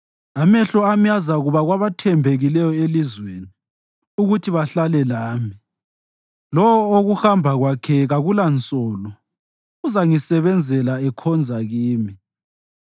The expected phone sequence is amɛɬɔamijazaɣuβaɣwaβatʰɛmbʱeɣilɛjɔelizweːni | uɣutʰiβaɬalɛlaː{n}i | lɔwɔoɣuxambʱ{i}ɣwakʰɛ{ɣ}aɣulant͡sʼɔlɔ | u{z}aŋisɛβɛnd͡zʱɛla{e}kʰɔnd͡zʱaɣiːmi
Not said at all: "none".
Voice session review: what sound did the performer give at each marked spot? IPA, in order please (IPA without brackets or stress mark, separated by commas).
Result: m, a, ɣ, z, ɛ